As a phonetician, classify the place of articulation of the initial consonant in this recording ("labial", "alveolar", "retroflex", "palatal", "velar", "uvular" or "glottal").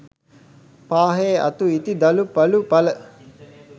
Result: labial